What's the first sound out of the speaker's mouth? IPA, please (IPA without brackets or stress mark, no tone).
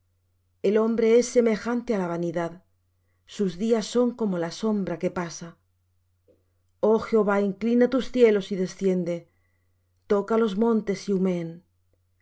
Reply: e̞